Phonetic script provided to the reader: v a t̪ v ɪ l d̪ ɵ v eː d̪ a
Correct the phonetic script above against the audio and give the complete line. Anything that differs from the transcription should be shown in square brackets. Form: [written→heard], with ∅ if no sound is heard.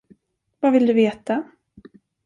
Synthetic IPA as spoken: v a [t̪→∅] v ɪ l d̪ ɵ v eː [d̪→t̪] a